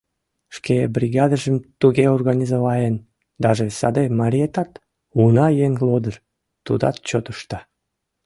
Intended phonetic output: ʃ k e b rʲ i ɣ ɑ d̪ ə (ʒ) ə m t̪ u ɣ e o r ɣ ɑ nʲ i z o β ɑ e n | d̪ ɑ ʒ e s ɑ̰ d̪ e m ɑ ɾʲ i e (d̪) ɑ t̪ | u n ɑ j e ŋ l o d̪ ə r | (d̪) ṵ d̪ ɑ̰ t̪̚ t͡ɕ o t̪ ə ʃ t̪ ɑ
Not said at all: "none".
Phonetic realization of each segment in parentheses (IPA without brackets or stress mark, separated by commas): ʒ, t̪, t̪